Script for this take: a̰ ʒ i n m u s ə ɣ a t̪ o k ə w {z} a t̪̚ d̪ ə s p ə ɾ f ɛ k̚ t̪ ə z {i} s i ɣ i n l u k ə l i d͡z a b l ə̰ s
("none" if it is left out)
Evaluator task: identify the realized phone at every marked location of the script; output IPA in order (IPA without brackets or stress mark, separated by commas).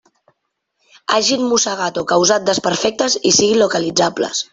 z, i